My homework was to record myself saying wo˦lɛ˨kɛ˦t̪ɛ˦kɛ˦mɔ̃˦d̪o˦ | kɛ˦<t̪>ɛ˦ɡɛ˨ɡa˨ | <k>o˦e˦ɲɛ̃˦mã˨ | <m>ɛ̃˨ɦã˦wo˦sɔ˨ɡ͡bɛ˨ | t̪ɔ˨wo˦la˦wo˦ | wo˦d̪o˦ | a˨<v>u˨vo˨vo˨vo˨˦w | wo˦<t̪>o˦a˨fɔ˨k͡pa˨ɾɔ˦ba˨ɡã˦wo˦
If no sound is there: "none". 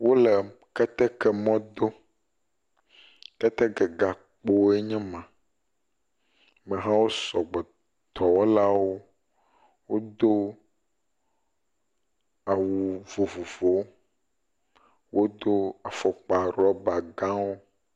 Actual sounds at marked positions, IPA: t̪, k͡p, m, w, d̪

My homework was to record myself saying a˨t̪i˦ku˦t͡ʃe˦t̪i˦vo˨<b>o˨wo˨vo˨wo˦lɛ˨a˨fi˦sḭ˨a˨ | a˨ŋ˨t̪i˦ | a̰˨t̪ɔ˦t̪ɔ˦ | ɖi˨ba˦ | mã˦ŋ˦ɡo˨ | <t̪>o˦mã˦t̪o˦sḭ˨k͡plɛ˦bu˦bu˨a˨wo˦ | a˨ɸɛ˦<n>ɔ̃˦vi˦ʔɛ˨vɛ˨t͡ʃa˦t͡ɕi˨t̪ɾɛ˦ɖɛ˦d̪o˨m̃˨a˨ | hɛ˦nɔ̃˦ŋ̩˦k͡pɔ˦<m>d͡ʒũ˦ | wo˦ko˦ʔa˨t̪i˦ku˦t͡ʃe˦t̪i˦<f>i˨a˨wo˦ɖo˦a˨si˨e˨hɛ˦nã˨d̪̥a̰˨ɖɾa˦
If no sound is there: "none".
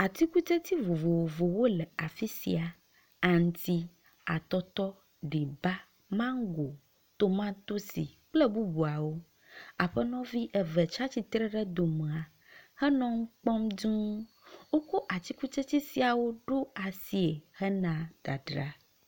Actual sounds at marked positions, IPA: v, t̪, n, m, s

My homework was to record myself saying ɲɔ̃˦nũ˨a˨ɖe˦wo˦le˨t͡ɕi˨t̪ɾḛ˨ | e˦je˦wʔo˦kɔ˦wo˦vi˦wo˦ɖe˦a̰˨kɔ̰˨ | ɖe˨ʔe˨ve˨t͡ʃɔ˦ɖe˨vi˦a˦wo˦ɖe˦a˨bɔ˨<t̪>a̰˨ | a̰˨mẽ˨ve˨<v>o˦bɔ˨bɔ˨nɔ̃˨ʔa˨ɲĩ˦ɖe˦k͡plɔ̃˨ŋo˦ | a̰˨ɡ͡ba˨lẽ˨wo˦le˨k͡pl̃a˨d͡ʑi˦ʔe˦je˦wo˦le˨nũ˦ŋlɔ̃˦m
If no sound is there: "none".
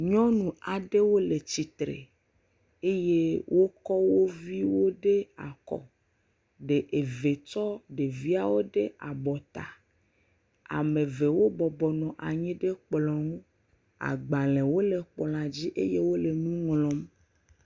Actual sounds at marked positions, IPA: t̪, w

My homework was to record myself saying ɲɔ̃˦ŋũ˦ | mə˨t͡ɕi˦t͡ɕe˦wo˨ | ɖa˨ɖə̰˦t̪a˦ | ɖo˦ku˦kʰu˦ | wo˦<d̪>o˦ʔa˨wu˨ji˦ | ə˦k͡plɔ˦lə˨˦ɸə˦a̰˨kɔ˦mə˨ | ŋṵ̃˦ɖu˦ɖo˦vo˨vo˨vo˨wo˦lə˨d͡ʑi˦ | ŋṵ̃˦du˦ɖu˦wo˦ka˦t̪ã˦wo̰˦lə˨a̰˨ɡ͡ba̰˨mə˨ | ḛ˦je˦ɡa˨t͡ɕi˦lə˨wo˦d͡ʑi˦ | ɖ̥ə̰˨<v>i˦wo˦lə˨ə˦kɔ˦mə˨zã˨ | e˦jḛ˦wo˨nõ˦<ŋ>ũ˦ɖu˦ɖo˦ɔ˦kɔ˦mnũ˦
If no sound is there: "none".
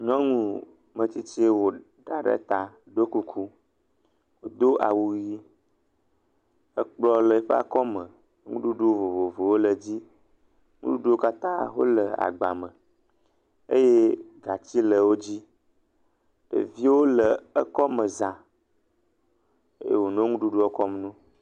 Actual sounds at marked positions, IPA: d̪, v, ŋ

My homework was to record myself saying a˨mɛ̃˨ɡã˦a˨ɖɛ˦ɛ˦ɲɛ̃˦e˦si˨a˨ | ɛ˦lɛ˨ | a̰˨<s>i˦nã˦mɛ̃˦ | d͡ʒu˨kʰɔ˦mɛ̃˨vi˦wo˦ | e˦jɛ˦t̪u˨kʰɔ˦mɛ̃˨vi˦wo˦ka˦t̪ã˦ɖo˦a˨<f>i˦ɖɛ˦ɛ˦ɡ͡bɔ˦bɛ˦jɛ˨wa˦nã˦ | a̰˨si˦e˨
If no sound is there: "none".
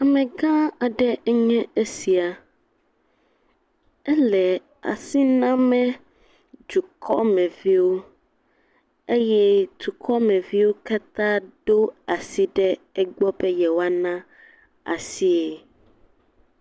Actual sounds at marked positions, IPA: s, s

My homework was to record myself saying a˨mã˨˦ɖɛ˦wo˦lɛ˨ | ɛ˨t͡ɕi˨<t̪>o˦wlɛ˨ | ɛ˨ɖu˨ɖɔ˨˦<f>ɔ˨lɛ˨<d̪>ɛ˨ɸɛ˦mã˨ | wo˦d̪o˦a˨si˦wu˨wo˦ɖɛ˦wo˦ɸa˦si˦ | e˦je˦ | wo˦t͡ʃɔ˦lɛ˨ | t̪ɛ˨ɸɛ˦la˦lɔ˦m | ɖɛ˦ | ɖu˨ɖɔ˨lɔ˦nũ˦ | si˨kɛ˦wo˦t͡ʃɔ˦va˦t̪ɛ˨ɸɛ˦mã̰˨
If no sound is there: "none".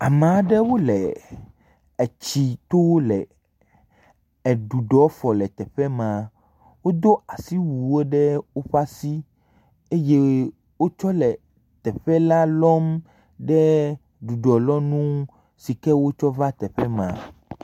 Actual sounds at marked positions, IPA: t̪, f, t̪

